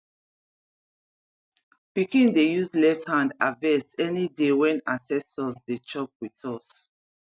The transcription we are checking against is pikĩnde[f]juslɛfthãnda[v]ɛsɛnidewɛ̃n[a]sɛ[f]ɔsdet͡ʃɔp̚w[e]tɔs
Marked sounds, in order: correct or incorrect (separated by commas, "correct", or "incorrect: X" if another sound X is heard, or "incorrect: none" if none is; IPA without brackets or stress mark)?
incorrect: none, correct, correct, incorrect: s, incorrect: i